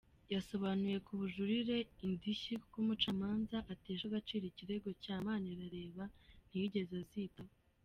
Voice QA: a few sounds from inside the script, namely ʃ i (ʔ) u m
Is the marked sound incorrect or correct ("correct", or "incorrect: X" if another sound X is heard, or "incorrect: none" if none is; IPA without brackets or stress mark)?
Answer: incorrect: k